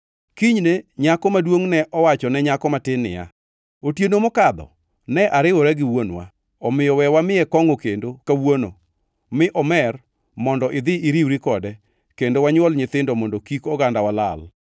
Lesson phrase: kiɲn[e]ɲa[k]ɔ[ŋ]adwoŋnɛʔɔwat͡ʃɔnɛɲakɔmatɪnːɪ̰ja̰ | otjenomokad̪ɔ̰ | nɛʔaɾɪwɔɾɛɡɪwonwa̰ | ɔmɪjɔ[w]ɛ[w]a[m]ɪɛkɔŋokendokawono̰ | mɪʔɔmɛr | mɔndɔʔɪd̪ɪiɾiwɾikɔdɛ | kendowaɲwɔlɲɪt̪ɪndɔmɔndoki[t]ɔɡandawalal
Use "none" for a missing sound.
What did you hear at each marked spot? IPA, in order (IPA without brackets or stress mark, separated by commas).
e, k, m, w, w, m, k